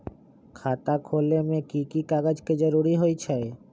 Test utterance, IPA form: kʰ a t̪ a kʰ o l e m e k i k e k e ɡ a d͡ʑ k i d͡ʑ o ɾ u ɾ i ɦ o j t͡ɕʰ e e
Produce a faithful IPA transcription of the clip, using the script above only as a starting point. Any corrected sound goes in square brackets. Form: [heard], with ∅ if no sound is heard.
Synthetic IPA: kʰ a t̪ a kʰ o l e m e k i k [i] k [a] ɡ a d͡ʑ k [e] d͡ʑ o ɾ u ɾ i ɦ o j t͡ɕʰ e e

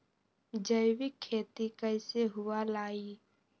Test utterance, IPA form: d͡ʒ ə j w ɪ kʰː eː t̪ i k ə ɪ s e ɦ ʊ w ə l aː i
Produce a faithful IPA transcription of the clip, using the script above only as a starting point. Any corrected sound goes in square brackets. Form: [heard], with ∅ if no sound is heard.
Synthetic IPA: d͡ʒ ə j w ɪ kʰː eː t̪ i k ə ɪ s e ɦ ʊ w [a] l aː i

